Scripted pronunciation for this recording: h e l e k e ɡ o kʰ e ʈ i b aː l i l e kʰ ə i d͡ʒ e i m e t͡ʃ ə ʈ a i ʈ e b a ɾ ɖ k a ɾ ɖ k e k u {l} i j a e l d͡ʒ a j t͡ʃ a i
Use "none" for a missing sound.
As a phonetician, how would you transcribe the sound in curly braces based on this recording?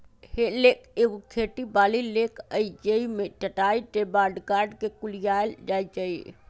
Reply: l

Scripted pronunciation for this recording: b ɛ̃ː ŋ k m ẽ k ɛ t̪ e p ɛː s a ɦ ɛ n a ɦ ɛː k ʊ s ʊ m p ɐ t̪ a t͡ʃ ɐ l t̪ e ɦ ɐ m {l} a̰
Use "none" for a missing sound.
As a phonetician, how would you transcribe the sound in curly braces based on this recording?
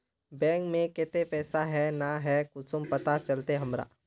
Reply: ɾ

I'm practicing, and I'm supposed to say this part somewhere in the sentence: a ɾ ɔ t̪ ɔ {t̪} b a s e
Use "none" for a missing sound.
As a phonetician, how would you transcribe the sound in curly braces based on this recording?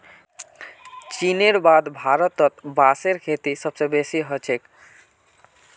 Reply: t̪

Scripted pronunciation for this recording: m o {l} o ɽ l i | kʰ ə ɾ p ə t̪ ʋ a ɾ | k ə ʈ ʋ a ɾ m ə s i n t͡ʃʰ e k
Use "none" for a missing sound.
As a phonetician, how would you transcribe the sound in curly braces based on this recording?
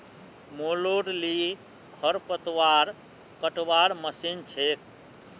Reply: l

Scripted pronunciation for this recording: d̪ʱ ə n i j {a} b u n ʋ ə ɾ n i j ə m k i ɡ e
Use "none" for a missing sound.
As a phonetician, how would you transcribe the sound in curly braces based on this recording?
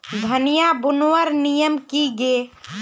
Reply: a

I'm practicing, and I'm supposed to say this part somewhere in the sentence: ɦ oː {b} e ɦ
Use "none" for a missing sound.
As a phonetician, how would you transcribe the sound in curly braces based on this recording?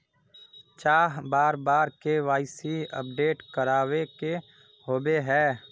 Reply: b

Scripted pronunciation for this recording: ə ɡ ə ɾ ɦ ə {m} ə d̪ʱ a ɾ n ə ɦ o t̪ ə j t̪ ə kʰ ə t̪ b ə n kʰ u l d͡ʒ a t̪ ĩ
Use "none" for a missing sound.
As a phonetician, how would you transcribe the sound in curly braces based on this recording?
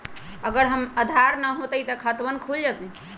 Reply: m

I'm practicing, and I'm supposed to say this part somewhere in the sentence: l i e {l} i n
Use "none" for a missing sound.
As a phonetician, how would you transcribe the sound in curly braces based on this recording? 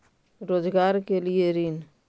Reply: ɾ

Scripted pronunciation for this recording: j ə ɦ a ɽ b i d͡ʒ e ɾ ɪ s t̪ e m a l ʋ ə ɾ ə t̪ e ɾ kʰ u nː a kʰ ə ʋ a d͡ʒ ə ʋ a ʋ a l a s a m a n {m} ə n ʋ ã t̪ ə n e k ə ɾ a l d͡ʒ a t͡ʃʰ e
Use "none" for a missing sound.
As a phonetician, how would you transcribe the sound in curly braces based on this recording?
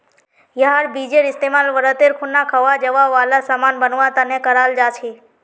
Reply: b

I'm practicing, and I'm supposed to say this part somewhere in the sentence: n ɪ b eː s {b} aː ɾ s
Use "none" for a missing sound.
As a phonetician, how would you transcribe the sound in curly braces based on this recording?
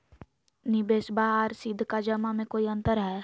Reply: b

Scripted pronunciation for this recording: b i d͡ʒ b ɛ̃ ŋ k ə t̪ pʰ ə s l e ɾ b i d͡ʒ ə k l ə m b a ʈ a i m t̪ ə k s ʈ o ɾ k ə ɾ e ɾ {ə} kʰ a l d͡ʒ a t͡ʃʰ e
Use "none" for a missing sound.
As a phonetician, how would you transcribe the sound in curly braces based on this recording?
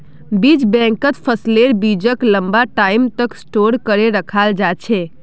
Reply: ə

